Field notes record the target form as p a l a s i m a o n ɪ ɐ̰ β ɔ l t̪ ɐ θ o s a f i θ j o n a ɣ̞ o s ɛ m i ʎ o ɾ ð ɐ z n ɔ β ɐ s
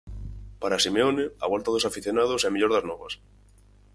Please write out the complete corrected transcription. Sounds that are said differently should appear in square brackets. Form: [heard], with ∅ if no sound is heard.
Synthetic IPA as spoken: p a [ɾ] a s i m [e] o n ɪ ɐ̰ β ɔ l t̪ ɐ [ð] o s a f i θ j o n a [ð̞] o s ɛ m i ʎ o ɾ ð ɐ z n ɔ β ɐ s